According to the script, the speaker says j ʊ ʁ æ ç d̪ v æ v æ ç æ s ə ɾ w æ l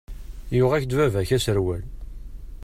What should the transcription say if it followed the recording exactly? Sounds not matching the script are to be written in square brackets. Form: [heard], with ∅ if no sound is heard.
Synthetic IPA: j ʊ ʁ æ ç d̪ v æ v æ ç æ s ə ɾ w æ l